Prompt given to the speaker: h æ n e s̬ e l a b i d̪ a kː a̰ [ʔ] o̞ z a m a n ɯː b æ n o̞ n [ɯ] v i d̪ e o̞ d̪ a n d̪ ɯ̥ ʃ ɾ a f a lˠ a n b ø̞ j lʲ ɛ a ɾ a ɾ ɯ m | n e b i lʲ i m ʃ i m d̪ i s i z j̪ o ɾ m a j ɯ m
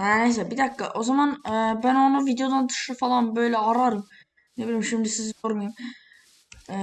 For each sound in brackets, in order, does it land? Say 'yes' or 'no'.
yes, no

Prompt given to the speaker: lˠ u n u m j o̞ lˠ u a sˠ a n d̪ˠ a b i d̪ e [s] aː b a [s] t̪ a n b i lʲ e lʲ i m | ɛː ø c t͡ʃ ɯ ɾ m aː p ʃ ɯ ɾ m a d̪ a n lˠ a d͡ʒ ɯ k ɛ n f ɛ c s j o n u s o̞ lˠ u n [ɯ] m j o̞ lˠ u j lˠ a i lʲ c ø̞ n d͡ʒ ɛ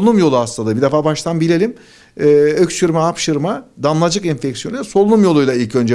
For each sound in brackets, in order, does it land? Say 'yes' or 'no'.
no, no, no

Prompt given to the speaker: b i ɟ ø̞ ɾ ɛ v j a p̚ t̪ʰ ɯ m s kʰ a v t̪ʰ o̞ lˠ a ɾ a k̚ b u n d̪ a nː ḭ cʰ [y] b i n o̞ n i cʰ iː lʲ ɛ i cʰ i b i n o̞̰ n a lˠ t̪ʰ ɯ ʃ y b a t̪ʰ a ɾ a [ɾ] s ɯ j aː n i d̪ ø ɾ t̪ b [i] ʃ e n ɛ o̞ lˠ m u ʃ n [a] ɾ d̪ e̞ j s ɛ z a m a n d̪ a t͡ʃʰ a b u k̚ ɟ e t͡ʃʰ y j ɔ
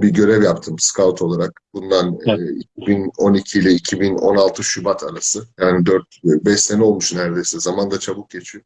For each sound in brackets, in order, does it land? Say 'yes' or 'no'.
no, no, no, no

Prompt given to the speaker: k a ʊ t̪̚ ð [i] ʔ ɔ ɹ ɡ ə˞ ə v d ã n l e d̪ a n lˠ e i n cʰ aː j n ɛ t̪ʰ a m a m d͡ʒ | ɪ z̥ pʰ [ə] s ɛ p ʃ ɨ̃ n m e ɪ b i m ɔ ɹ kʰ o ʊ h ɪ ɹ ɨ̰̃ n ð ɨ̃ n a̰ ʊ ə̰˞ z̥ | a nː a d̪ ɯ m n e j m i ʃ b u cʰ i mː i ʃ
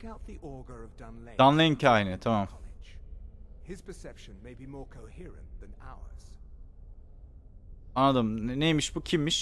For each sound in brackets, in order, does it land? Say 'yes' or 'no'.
yes, yes

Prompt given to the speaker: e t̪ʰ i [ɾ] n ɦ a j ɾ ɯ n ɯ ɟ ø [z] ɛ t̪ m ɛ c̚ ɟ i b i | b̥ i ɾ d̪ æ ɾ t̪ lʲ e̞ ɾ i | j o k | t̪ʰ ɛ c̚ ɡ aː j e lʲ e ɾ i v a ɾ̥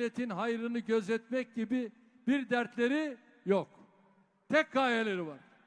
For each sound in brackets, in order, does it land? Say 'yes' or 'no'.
no, yes

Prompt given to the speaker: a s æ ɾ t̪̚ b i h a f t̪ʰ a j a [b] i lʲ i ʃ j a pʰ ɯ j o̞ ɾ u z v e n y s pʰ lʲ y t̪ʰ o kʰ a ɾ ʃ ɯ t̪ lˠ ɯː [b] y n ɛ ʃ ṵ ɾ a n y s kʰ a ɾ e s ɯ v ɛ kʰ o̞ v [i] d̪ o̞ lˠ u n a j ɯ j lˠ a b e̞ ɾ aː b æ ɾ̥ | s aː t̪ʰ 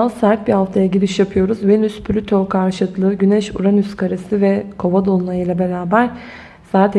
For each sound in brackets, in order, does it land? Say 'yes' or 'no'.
no, no, no

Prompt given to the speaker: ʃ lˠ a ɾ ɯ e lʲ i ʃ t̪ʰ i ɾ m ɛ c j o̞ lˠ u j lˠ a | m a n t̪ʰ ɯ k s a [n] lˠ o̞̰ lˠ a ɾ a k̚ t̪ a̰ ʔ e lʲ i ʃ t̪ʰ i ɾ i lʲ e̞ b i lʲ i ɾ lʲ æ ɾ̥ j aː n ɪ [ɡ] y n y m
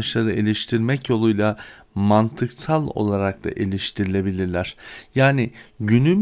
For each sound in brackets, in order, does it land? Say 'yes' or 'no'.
no, no

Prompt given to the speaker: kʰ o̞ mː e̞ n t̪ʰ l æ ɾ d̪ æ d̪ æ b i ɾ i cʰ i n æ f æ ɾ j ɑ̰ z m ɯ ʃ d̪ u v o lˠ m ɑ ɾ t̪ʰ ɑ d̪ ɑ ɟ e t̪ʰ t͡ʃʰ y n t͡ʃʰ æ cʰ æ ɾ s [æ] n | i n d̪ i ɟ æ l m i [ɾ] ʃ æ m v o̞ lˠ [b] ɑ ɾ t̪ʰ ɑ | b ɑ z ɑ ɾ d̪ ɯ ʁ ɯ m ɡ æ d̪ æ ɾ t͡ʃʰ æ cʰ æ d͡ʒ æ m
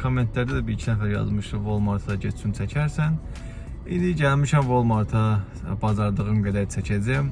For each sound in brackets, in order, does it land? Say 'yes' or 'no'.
yes, no, no

